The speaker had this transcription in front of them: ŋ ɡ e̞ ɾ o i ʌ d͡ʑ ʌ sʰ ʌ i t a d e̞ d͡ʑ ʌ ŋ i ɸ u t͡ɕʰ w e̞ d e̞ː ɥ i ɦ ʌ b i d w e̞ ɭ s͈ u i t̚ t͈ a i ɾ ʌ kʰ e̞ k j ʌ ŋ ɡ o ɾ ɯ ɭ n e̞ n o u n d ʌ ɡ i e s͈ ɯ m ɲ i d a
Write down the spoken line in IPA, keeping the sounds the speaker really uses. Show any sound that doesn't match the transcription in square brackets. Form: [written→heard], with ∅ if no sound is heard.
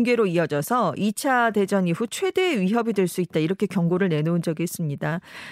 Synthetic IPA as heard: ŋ ɡ e̞ ɾ o i ʌ d͡ʑ ʌ sʰ ʌ i [t→t͡ɕʰ] a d e̞ d͡ʑ ʌ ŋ i ɸ u t͡ɕʰ w e̞ d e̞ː ɥ i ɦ ʌ b i d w e̞ ɭ s͈ u i t̚ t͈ a i ɾ ʌ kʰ e̞ k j ʌ ŋ ɡ o ɾ ɯ ɭ n e̞ n o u n [d→d͡ʑ] ʌ ɡ i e s͈ ɯ m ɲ i d a